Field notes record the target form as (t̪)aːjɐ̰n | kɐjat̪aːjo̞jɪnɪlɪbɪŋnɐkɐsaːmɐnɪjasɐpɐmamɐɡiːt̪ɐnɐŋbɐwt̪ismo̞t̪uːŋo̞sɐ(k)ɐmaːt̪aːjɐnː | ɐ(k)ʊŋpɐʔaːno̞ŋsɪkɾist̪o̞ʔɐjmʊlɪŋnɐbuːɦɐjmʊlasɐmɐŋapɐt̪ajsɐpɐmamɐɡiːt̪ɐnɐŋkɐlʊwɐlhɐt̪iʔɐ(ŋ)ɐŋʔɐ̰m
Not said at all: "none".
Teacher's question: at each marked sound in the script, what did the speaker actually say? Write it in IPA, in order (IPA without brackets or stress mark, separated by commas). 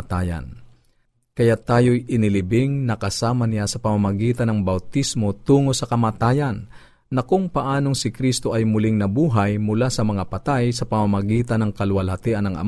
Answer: t̪, k, k, n